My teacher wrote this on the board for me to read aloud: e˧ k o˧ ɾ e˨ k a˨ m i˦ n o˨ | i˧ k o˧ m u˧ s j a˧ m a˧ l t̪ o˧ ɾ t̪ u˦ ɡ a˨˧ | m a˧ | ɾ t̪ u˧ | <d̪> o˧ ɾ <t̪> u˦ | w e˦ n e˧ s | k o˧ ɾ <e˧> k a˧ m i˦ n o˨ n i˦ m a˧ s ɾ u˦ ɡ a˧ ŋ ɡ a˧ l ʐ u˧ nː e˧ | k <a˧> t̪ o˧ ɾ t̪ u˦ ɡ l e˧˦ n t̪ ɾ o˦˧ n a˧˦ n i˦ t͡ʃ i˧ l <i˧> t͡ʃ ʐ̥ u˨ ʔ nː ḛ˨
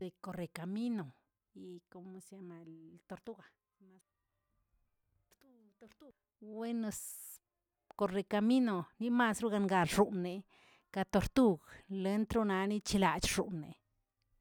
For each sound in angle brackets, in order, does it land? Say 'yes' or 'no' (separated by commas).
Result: no, yes, yes, yes, no